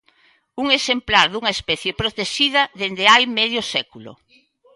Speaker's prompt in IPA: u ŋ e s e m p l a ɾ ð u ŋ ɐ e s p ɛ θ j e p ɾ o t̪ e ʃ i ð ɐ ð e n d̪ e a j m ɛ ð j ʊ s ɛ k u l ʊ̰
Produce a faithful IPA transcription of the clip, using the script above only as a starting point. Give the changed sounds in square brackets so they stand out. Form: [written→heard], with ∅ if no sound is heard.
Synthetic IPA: u ŋ e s e m p l a ɾ ð u ŋ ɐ e s p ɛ θ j e p ɾ o t̪ e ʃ i ð ɐ ð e n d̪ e a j m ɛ ð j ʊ s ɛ k u l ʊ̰